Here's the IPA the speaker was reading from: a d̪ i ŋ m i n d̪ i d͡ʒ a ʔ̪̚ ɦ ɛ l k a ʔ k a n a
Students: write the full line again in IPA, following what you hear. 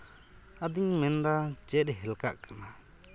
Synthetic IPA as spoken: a d̪ i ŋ m ɛ n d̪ a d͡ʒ ɛ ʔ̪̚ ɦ ɛ l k a ʔ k a n a